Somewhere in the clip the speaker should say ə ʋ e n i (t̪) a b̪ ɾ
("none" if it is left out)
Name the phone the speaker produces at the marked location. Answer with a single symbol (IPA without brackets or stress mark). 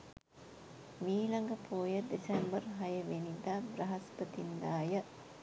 d̪